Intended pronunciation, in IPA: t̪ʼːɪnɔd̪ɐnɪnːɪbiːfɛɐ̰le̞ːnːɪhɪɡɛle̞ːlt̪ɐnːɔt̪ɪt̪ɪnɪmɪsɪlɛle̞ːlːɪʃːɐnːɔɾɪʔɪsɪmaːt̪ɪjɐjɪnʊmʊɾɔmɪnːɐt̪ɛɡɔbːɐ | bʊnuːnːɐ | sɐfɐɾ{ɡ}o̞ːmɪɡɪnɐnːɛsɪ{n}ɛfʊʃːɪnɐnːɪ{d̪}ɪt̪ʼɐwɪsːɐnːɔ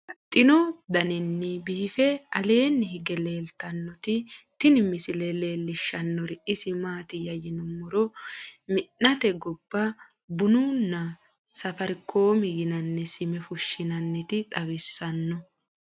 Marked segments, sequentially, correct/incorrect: incorrect: k, incorrect: m, incorrect: t̪

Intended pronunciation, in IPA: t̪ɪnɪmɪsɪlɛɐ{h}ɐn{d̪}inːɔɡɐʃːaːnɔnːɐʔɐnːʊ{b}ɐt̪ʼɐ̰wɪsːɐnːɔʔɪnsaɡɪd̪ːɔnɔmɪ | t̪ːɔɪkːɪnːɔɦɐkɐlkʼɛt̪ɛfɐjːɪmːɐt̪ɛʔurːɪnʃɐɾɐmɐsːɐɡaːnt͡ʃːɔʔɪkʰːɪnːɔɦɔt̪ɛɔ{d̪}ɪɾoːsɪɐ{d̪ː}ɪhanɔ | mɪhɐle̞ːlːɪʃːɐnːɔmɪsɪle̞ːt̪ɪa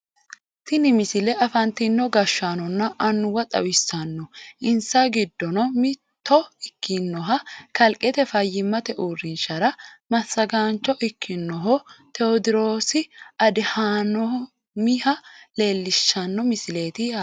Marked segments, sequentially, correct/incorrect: incorrect: f, incorrect: t̪, incorrect: w, correct, incorrect: d̪

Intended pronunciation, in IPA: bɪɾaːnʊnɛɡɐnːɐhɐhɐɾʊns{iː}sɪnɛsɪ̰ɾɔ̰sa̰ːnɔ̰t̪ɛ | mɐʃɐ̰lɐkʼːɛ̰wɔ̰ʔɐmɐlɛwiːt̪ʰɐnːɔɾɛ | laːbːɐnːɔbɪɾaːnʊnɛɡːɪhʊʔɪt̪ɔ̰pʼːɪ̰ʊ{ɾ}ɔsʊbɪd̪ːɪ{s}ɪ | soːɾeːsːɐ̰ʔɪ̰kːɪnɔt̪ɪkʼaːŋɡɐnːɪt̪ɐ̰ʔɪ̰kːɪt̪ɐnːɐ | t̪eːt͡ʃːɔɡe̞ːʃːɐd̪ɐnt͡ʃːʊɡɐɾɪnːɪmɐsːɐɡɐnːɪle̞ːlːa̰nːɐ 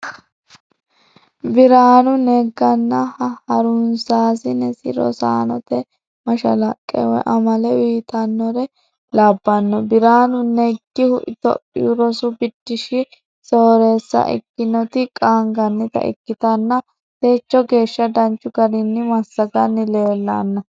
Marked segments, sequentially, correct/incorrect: incorrect: aː, correct, incorrect: ʃ

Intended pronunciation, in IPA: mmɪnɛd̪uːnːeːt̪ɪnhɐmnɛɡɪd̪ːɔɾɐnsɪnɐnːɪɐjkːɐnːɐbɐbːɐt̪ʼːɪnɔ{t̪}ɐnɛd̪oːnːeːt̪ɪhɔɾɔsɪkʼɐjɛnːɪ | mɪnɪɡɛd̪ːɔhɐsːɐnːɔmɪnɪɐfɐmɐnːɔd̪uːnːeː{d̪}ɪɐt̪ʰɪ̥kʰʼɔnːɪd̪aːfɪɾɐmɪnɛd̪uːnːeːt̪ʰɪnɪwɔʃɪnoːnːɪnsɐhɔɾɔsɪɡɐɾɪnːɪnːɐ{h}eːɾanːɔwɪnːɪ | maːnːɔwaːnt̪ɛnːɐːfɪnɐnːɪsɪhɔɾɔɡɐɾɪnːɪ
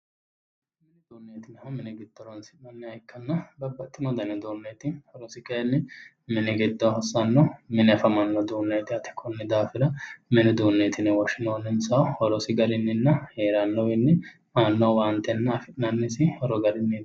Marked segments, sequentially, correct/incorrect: incorrect: d̪, incorrect: t̪, correct

